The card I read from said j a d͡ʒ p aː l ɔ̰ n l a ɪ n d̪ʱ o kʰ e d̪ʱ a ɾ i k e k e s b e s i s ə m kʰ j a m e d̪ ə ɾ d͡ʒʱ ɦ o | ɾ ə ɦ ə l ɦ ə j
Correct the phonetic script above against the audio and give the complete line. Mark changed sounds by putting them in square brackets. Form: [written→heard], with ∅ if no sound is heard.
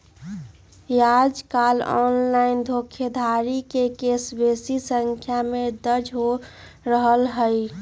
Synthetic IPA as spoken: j a d͡ʒ [p→k] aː l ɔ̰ n l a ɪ n d̪ʱ o kʰ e d̪ʱ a ɾ i k e k e s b e s i s ə [m→ŋ] kʰ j a m e d̪ ə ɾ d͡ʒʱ ɦ o | ɾ ə ɦ ə l ɦ ə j